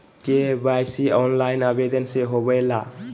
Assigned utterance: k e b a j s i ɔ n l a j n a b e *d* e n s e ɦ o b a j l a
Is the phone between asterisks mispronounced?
no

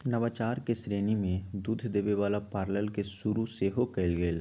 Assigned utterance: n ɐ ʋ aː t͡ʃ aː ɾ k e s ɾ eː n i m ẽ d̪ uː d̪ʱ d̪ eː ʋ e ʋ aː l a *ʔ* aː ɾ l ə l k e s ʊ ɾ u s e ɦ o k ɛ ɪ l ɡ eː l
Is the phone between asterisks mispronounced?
yes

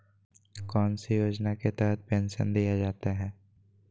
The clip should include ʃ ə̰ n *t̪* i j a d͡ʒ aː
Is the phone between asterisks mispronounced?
yes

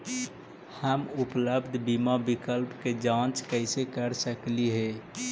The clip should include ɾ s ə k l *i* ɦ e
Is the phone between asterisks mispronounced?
no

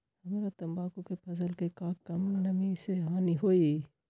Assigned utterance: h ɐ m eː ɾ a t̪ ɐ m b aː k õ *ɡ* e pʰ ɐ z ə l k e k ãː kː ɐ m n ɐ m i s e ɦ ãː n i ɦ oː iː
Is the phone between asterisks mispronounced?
yes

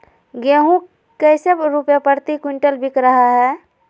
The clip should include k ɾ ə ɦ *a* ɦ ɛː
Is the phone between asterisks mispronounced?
no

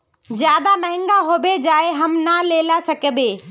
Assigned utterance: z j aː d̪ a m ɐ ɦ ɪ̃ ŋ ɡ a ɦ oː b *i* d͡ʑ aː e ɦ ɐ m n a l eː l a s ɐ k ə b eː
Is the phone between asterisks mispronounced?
yes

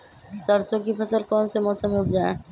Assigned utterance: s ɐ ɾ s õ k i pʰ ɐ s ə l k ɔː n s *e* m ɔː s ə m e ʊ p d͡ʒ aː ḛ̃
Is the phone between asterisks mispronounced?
no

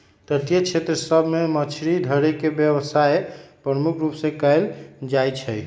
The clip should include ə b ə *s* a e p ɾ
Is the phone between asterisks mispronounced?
no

